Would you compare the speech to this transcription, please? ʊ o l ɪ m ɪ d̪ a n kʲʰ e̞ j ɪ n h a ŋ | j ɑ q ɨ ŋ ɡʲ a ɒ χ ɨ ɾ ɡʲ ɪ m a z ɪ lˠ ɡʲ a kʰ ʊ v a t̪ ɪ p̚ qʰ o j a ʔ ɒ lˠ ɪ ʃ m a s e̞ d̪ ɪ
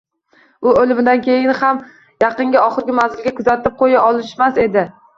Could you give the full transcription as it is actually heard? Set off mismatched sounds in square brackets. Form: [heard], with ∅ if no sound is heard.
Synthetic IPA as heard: ʊ o l ɪ m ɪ d̪ a n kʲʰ e̞ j ɪ n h a [m] | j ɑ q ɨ ŋ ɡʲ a ɒ χ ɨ ɾ ɡʲ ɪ m a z ɪ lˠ ɡʲ a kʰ ʊ [z] a t̪ ɪ p̚ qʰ o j a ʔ ɒ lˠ ɪ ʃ m a s e̞ d̪ ɪ